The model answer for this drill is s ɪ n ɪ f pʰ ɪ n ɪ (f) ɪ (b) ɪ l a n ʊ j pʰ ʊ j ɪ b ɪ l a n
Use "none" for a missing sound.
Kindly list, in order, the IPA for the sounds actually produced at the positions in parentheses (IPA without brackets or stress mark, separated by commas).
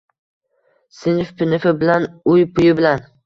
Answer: f, b